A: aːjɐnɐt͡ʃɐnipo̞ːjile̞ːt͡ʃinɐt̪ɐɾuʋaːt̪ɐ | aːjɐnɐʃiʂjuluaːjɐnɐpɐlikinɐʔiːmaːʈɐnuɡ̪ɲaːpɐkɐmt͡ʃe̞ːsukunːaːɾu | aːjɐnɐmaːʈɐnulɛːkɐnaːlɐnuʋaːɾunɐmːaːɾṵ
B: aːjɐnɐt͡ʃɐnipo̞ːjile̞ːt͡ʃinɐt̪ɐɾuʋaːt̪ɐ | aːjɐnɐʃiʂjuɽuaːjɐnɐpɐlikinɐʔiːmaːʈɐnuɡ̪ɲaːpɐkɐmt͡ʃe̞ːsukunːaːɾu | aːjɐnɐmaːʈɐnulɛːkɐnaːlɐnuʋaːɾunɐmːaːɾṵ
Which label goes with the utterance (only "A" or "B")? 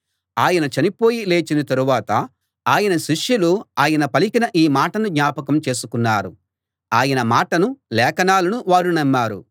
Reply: A